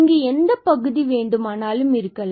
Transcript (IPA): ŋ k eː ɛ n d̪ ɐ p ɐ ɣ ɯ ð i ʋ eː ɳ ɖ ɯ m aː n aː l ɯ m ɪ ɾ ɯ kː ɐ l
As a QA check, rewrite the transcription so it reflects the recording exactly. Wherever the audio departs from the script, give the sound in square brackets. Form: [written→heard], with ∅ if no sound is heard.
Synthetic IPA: ŋ [k→ɡ] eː ɛ n d̪ ɐ p ɐ ɣ ɯ ð i ʋ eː ɳ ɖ ɯ m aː n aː l ɯ m ɪ ɾ ɯ kː ɐ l